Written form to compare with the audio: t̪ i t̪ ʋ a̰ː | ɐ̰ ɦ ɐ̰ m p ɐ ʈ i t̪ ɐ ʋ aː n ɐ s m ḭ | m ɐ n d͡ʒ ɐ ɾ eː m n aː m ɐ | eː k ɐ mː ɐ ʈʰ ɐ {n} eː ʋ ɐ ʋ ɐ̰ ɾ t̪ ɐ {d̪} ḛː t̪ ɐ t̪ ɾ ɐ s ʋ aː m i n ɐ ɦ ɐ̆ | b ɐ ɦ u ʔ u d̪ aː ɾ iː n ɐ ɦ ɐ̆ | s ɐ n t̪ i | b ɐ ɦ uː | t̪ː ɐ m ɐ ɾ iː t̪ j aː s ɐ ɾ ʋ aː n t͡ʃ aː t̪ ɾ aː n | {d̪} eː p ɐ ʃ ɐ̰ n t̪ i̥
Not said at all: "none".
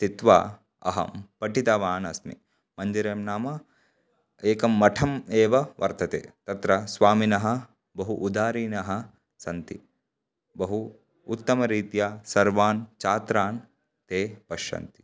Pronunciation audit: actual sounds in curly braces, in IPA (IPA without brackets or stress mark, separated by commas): m, t̪, t̪